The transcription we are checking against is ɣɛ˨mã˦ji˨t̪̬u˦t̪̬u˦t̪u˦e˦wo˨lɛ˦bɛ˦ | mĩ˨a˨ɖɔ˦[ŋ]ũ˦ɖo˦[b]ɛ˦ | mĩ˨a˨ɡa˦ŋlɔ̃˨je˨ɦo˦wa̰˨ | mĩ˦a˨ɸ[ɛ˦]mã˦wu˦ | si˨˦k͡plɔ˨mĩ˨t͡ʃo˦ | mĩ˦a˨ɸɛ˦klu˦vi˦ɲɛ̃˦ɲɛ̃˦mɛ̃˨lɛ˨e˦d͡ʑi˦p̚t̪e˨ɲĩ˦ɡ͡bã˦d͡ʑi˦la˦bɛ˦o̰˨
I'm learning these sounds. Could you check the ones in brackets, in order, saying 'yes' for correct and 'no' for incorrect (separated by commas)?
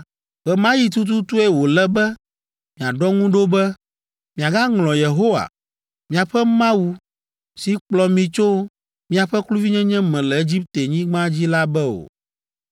yes, yes, yes